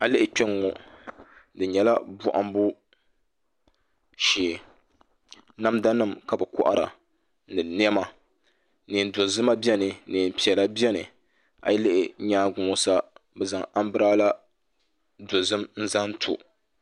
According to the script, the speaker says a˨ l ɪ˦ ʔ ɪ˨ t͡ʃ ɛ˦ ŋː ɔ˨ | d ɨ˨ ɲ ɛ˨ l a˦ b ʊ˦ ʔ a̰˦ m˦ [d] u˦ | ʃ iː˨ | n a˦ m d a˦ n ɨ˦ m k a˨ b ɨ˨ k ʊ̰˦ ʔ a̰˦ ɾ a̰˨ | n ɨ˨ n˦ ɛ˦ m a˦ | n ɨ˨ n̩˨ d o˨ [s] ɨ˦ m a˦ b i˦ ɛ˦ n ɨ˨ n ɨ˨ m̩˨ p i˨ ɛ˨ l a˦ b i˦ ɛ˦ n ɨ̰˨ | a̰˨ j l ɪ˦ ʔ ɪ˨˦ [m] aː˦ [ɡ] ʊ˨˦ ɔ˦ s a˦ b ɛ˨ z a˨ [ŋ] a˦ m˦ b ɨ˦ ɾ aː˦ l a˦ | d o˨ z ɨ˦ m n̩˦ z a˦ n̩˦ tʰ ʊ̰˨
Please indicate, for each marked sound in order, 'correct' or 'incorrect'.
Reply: incorrect, incorrect, incorrect, correct, correct

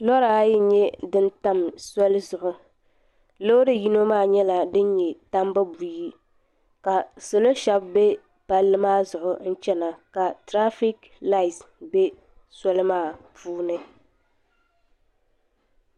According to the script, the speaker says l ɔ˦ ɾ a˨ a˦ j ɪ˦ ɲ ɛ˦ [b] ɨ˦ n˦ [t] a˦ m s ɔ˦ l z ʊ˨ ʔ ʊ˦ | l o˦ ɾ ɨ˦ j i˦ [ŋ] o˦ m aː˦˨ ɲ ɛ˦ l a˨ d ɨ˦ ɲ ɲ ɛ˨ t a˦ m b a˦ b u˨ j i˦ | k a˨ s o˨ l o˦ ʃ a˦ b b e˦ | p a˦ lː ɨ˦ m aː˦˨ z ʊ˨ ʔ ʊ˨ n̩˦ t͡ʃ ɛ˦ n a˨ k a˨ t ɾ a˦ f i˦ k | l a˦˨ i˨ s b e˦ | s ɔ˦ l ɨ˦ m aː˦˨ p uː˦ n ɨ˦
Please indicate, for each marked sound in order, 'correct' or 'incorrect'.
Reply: incorrect, correct, incorrect

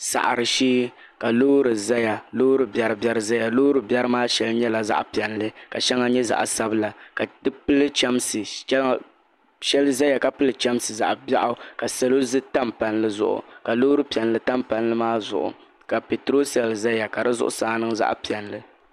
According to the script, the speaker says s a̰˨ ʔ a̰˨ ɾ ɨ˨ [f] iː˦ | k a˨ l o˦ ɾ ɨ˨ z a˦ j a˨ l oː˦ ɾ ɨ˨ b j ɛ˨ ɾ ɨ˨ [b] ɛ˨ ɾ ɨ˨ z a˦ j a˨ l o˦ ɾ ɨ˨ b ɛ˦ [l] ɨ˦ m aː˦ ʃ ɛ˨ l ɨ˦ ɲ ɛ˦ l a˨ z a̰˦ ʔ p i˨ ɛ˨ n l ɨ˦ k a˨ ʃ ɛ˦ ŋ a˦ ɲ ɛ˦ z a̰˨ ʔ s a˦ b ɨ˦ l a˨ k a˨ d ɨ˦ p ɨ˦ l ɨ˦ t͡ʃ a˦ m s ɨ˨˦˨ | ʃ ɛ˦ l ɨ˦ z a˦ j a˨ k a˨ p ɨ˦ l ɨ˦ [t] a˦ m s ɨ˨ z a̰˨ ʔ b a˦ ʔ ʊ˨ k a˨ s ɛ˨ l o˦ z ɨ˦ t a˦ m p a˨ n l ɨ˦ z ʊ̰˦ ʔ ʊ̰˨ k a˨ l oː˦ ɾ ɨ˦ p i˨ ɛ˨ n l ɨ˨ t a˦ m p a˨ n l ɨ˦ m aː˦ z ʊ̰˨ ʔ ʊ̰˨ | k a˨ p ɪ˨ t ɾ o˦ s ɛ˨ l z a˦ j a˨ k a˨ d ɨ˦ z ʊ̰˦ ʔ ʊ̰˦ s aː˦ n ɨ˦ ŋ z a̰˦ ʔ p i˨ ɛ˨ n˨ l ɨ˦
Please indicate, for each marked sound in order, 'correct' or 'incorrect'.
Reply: incorrect, correct, incorrect, incorrect

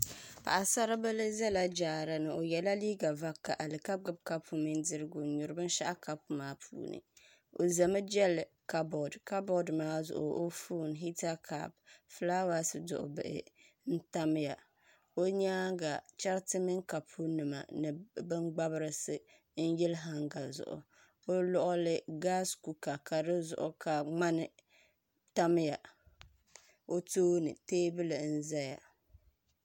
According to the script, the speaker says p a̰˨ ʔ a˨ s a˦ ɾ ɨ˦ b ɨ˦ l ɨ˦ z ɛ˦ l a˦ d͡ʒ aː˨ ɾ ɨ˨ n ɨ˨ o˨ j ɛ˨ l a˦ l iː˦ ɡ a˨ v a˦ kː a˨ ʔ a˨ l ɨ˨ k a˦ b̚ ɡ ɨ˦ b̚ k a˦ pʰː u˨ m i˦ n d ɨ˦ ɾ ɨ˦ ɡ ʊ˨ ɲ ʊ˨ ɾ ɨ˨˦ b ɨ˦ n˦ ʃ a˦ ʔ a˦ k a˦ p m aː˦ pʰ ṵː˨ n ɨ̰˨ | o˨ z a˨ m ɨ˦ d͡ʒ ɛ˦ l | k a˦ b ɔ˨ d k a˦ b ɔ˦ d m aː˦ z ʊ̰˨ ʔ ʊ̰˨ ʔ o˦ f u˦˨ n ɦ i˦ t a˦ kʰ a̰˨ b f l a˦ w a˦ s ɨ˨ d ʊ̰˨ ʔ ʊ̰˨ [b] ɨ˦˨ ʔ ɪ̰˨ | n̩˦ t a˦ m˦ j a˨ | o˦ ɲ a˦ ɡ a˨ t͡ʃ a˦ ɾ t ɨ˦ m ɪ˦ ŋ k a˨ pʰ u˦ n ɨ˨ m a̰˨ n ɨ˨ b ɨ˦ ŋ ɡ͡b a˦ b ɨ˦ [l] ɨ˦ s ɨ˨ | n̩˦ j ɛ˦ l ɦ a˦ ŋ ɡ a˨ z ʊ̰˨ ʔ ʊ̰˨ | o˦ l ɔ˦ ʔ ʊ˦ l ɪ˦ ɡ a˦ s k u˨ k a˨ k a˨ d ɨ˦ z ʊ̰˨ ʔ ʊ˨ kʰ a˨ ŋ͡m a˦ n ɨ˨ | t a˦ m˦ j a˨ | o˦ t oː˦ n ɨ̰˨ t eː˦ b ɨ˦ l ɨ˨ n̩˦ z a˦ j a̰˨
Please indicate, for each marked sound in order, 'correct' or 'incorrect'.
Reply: correct, incorrect

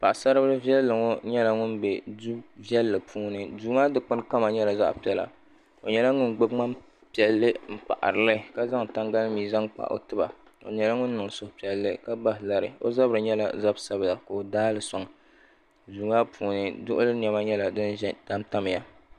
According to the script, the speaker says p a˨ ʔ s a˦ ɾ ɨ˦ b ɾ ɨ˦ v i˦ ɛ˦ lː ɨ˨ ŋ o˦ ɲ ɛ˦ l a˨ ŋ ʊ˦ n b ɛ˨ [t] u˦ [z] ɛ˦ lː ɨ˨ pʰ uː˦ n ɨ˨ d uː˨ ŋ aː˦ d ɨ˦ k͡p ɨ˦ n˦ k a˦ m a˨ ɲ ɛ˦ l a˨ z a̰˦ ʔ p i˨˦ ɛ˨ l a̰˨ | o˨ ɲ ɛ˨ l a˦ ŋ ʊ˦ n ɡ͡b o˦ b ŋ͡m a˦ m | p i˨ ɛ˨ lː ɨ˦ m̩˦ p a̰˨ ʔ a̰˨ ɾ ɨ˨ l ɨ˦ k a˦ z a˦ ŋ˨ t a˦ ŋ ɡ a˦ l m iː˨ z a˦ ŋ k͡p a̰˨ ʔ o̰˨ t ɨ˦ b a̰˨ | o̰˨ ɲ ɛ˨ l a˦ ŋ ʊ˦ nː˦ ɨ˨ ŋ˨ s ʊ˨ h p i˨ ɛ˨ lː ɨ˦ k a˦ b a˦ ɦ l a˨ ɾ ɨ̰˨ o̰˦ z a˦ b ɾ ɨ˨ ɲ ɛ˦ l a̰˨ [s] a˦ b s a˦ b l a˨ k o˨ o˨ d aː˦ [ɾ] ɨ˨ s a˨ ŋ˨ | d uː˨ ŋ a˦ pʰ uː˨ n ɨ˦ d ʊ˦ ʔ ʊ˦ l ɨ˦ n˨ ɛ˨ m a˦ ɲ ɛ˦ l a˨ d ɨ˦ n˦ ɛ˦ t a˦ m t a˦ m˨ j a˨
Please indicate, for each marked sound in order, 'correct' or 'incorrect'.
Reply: incorrect, incorrect, incorrect, incorrect

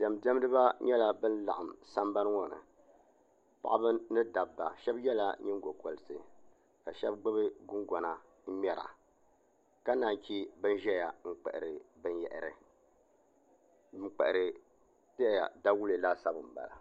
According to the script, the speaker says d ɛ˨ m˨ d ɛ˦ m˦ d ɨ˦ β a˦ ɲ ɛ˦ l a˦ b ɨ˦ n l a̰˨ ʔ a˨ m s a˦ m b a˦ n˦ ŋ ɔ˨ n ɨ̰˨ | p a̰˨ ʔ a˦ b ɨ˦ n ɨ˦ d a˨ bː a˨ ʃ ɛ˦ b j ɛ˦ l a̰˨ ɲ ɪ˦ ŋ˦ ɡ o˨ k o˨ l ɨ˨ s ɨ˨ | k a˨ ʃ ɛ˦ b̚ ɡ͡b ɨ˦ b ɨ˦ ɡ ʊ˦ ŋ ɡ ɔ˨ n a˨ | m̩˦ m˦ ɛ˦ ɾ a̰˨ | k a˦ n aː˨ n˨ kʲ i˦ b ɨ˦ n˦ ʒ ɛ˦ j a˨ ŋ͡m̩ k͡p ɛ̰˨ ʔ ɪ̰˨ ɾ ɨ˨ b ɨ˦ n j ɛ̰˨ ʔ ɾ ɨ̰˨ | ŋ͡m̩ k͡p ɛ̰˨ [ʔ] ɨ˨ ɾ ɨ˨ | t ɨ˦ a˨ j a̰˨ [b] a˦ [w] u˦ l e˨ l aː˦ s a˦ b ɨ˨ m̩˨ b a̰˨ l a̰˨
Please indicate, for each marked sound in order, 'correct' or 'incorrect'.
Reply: correct, incorrect, correct

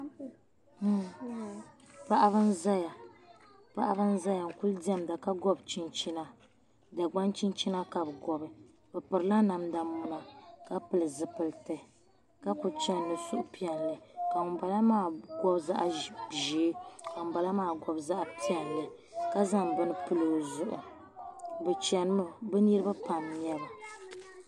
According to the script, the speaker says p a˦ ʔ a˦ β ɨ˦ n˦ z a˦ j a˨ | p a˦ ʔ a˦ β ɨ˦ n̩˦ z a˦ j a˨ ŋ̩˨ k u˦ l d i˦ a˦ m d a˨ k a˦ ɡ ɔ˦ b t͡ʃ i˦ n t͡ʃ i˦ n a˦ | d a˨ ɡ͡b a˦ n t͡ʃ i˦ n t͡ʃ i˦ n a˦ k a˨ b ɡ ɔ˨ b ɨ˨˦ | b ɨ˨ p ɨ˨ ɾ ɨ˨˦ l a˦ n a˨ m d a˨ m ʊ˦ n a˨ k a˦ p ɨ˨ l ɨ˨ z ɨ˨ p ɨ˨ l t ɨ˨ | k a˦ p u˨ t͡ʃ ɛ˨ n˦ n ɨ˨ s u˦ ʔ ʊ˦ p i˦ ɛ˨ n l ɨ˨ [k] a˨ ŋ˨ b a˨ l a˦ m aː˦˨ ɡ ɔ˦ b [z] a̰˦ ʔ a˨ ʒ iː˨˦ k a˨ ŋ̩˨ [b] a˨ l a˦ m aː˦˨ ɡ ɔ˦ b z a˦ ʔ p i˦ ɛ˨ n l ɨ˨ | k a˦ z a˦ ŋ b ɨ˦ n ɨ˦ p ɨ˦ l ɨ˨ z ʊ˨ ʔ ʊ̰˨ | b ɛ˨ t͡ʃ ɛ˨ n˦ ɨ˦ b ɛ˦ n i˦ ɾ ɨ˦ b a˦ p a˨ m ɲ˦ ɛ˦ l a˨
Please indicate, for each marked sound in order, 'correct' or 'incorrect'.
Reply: correct, correct, correct

